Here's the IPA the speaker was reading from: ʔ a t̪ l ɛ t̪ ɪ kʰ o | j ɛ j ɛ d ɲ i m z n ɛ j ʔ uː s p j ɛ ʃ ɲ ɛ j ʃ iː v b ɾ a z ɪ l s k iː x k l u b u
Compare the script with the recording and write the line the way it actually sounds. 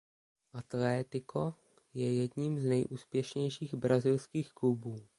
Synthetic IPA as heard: ʔ a t̪ l ɛ t̪ ɪ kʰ o | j ɛ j ɛ d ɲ i m z n ɛ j ʔ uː s p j ɛ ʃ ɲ ɛ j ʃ iː ɣ b ɾ a z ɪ l s k iː x k l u b uː